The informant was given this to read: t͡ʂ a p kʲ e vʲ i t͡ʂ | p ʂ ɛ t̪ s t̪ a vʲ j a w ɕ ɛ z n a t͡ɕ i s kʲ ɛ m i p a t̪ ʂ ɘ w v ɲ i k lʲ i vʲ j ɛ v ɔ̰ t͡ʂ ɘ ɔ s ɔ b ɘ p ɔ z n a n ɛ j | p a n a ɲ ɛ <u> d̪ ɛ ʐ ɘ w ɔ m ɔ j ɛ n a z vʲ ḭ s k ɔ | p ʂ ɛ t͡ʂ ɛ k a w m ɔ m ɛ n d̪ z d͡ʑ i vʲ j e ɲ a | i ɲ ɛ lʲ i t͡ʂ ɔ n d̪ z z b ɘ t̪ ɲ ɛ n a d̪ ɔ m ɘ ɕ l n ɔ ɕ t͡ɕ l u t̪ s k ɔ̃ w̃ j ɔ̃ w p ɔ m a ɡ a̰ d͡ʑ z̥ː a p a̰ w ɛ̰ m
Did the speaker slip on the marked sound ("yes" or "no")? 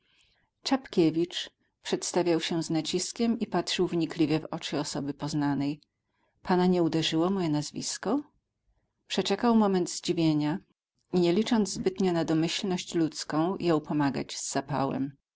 no